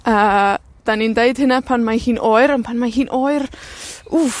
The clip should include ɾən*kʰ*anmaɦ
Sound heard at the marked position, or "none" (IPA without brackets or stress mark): pʰ